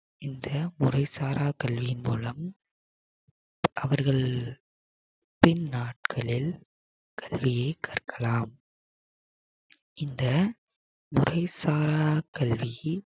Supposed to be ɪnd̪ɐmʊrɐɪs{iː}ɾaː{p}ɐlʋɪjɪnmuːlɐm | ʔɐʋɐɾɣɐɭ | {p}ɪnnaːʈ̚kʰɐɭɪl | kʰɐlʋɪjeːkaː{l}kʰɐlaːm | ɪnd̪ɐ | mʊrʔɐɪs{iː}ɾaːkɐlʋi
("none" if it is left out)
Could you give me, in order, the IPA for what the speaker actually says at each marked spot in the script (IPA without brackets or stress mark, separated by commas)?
aː, k, p, r, aː